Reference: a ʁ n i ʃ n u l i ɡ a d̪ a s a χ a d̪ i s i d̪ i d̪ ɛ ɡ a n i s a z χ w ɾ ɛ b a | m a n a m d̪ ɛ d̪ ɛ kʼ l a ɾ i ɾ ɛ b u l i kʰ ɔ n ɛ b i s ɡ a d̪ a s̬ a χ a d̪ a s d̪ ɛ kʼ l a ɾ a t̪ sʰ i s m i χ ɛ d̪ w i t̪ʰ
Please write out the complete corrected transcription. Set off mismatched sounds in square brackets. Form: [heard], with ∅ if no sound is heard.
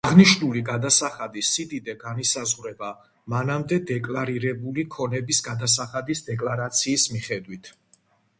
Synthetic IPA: a ʁ n i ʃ n u l i ɡ a d̪ a s a χ a d̪ i s i d̪ i d̪ ɛ ɡ a n i s a z [ʁ] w ɾ ɛ b a | m a n a m d̪ ɛ d̪ ɛ kʼ l a ɾ i ɾ ɛ b u l i kʰ ɔ n ɛ b i s ɡ a d̪ a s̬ a χ a d̪ [i] s d̪ ɛ kʼ l a ɾ a t̪ sʰ [iː] s m i χ ɛ d̪ w i t̪ʰ